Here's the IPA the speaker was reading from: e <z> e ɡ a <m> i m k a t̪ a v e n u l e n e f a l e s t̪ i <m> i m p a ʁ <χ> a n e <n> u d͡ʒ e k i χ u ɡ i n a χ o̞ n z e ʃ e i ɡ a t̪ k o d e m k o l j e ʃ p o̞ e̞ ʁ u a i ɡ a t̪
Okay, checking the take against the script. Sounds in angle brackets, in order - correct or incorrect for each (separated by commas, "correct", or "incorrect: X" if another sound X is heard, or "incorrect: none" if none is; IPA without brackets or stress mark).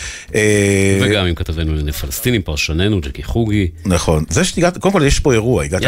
incorrect: v, correct, incorrect: n, incorrect: ʃ, correct